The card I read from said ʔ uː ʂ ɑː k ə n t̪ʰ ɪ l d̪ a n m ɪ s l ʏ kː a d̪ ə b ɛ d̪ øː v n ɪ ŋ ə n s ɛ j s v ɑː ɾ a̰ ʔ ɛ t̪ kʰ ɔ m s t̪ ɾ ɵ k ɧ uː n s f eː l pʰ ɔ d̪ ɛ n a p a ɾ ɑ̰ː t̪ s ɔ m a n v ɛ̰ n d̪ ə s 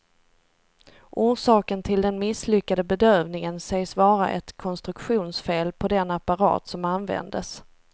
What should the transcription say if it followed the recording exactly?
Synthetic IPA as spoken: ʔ uː ʂ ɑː k ə n t̪ʰ ɪ l d̪ ɛ n m ɪ s l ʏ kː a d̪ ə b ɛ d̪ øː v n ɪ ŋ ə n s ɛ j s v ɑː ɾ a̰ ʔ ɛ t̪ kʰ ɔ n s t̪ ɾ ɵ k ɧ uː n s f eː l pʰ ɔ d̪ ɛ n a p a ɾ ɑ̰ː t̪ s ɔ m a n v ɛ̰ n d̪ ə s